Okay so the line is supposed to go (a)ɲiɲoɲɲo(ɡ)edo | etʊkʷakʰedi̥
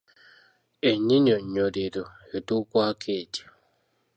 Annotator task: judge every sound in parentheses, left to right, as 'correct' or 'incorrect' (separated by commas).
incorrect, incorrect